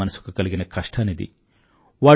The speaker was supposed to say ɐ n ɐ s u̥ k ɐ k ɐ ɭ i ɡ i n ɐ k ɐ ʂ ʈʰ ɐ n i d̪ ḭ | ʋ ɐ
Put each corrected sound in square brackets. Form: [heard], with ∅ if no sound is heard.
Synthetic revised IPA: ɐ n ɐ s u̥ k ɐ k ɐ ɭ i ɡ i n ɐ k ɐ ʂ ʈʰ ɐ n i d̪ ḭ | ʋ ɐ